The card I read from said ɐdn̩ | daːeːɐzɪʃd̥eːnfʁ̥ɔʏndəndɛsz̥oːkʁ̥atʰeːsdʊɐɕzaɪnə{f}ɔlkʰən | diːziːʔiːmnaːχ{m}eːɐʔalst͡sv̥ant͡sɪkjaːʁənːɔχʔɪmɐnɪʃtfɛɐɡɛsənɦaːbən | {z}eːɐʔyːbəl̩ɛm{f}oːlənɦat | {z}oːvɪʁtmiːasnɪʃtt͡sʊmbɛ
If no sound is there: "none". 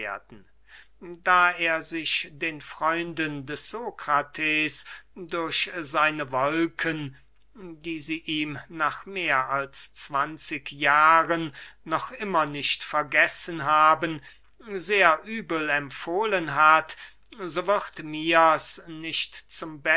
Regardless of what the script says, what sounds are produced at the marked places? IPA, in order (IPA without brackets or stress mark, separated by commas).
v, m, z, f, z